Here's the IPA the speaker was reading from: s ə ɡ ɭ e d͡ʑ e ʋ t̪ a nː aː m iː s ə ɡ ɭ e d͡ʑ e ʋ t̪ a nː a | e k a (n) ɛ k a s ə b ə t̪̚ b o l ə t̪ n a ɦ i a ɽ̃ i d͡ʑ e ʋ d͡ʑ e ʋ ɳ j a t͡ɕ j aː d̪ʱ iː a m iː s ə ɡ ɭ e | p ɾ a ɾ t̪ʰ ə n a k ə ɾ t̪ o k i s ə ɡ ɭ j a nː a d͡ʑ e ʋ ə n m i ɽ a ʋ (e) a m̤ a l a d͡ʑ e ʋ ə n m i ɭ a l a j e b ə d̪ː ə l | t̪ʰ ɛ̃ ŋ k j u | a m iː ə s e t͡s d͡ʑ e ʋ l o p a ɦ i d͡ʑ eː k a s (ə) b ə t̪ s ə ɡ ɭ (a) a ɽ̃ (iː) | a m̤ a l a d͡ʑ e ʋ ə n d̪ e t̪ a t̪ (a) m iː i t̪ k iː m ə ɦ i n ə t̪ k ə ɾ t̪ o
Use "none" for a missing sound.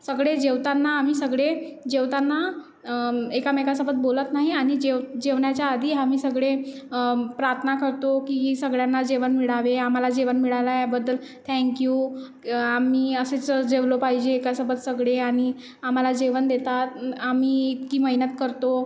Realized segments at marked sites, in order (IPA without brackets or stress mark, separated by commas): m, e, ə, e, i, a